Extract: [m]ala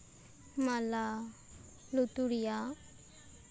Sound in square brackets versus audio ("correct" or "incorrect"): correct